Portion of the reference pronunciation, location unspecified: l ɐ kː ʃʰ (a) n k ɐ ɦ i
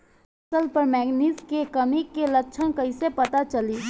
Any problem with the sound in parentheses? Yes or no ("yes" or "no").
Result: yes